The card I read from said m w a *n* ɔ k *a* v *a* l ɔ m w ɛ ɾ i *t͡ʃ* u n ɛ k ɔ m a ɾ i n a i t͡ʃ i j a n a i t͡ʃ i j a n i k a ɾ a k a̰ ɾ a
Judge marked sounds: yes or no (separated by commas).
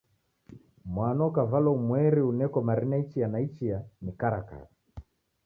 yes, yes, yes, no